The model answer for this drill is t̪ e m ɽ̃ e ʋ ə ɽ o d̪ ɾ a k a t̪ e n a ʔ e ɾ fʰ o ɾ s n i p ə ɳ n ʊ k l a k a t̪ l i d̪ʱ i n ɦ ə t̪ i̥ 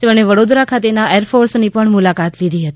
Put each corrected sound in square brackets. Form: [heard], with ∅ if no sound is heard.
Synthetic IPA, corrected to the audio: t̪ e m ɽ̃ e ʋ ə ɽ o d̪ ɾ a [kʰ] a t̪ e n a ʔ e ɾ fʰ o ɾ s n i p ə ɳ [m] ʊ [∅] l a k a t̪ l i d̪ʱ i [∅] ɦ ə t̪ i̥